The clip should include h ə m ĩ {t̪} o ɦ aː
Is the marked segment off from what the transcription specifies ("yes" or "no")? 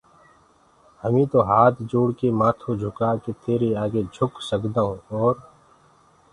no